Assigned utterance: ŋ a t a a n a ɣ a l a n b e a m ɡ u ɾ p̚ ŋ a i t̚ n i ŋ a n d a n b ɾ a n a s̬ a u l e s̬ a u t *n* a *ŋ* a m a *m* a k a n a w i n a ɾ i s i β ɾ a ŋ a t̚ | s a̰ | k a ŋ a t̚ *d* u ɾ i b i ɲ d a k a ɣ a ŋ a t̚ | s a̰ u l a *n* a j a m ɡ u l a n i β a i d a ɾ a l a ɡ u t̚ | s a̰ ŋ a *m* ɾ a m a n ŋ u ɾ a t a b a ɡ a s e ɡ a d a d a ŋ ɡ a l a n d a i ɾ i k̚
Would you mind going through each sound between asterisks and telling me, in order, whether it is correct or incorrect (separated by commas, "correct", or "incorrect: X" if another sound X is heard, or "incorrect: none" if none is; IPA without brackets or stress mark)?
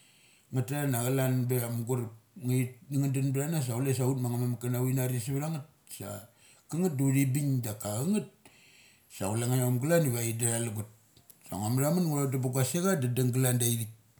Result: incorrect: m, correct, correct, correct, incorrect: ŋ, correct